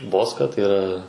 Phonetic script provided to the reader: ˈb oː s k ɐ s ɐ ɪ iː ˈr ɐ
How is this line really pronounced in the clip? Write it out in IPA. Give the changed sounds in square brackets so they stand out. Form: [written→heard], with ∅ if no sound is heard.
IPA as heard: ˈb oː s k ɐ [s→t] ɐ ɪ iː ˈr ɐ